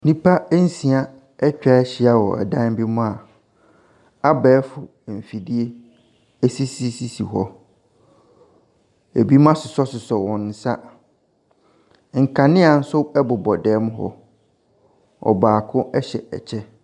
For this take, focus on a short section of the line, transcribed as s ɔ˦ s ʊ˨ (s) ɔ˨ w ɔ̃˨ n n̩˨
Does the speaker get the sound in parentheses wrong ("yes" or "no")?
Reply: no